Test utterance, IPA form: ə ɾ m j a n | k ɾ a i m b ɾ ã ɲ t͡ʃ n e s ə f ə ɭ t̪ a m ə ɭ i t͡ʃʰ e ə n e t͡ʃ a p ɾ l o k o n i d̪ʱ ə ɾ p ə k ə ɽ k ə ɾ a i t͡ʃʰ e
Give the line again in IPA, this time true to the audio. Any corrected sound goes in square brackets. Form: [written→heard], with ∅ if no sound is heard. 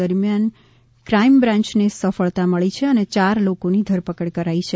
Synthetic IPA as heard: ə ɾ m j a n | k ɾ a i m b ɾ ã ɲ t͡ʃ n e s ə f ə ɭ t̪ a m ə ɭ i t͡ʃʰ e ə n e t͡ʃ a [p→∅] ɾ l o k o n i d̪ʱ ə ɾ p ə k ə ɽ k ə ɾ a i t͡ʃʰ e